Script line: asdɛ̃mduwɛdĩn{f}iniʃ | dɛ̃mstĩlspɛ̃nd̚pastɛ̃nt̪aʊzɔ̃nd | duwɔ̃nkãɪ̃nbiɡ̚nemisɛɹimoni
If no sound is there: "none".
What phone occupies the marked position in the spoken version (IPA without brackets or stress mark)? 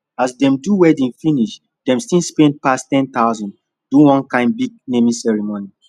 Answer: f